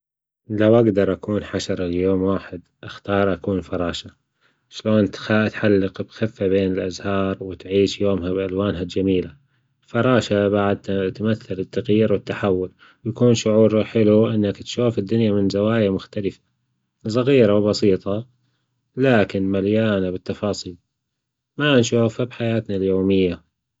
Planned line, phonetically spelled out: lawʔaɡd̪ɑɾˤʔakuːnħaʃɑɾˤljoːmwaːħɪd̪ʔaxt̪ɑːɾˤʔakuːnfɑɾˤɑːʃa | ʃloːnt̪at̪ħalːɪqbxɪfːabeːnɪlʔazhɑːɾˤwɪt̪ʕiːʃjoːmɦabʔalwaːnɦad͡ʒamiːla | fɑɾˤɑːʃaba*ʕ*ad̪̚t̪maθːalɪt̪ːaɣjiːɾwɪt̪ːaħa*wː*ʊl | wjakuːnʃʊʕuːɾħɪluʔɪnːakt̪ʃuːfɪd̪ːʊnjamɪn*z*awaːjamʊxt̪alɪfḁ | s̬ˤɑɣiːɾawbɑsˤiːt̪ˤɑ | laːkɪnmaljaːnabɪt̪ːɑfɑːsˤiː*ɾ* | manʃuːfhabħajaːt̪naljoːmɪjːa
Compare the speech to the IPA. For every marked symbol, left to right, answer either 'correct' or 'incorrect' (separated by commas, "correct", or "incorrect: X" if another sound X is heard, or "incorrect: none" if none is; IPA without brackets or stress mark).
correct, correct, correct, incorrect: l